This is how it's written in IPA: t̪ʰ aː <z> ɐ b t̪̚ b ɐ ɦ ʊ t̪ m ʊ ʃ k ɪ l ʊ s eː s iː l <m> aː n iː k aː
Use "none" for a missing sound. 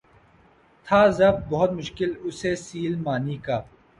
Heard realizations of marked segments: z, m

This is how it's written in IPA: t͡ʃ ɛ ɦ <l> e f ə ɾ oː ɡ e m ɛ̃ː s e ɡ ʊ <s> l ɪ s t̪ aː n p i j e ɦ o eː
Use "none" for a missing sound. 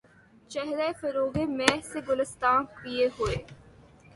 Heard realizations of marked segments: ɾ, none

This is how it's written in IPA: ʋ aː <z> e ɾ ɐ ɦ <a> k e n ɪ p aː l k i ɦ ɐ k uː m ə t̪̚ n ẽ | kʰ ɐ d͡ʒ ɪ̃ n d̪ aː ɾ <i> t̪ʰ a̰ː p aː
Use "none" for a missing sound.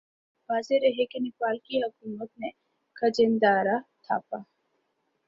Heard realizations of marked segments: z, e, a

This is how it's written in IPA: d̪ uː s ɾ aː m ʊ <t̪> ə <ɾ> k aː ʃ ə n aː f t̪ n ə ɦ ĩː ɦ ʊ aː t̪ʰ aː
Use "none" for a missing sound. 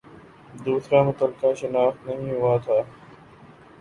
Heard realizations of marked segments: t̪, l

